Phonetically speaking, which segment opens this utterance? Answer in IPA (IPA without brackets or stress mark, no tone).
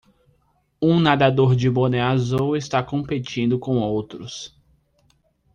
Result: ũ